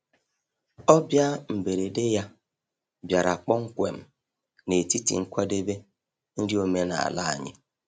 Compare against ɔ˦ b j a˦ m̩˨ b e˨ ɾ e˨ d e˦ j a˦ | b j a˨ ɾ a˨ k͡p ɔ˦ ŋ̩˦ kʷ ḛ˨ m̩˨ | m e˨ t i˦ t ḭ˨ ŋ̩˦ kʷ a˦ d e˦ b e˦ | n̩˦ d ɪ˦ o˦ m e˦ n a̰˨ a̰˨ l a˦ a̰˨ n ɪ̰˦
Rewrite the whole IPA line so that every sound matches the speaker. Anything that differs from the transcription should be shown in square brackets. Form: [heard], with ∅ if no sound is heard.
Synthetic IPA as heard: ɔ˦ b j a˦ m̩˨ b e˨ ɾ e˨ d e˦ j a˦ | b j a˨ ɾ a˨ k͡p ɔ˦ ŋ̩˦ kʷ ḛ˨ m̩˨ | [n] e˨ t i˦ t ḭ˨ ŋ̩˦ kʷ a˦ d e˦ b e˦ | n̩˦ d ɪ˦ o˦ m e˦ n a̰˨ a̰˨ l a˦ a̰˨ [ɲ] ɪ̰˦